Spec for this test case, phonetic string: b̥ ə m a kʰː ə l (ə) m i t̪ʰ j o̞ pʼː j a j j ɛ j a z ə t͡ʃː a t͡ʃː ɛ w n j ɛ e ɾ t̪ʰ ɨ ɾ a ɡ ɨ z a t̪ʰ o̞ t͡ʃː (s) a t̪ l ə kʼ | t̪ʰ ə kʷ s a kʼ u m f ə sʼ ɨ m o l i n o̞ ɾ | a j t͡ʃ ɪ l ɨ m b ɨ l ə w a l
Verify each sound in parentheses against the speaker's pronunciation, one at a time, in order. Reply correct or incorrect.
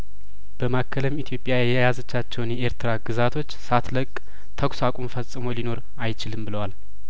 correct, correct

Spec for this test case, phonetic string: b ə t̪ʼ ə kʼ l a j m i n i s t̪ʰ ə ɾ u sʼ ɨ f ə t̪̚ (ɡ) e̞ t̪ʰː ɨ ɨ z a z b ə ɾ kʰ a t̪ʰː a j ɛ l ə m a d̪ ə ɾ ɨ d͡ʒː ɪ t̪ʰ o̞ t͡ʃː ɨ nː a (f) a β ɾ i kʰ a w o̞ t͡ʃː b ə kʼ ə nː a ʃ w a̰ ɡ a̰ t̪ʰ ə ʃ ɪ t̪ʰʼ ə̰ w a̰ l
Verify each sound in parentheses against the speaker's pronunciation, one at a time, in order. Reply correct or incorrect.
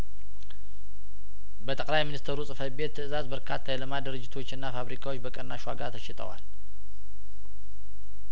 incorrect: b, correct

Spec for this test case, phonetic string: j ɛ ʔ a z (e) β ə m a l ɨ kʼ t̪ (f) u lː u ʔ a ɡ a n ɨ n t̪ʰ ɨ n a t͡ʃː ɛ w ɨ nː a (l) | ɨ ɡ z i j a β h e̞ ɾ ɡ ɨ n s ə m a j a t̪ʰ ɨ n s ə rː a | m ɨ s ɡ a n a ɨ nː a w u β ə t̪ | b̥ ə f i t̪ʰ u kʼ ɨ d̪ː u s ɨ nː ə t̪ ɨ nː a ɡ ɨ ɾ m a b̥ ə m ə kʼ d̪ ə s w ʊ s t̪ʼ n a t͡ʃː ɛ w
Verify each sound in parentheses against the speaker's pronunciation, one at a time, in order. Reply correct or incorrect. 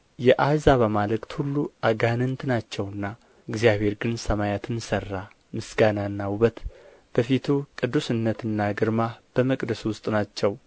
incorrect: a, incorrect: h, incorrect: none

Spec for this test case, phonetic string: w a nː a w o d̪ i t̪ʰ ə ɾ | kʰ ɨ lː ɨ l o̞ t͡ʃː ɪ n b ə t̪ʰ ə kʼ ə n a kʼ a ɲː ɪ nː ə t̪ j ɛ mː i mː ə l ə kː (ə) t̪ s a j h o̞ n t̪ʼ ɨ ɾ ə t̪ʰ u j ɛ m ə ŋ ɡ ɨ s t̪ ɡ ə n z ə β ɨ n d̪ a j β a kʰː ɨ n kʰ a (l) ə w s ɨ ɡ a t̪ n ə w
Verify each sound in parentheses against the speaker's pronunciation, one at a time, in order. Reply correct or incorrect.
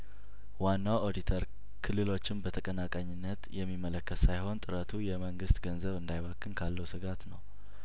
correct, incorrect: lː

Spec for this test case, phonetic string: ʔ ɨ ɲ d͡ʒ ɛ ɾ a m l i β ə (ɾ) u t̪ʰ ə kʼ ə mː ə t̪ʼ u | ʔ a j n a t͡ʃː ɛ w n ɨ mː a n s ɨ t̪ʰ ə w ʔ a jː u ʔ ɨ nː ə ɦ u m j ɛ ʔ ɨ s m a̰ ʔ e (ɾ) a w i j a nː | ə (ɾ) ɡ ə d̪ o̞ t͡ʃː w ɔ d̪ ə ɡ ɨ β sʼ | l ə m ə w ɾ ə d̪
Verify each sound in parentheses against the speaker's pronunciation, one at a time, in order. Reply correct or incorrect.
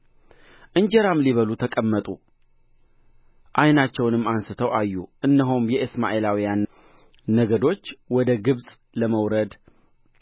incorrect: l, incorrect: l, incorrect: none

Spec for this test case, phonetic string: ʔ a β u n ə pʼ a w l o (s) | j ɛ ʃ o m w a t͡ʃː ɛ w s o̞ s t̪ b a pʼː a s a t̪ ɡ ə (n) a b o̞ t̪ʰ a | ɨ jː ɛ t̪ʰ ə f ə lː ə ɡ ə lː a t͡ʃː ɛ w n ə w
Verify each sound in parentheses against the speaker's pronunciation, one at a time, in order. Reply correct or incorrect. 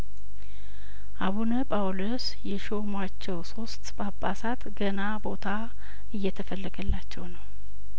correct, correct

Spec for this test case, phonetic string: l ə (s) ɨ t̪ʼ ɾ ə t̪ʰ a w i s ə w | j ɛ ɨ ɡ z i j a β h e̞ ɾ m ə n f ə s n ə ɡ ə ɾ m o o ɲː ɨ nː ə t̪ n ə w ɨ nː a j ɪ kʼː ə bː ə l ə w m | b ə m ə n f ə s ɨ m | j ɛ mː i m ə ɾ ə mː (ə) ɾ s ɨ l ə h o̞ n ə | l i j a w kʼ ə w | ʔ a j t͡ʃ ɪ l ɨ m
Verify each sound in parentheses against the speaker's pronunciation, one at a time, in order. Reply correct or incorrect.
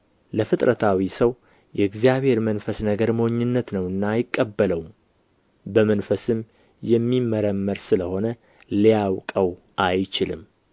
incorrect: f, correct

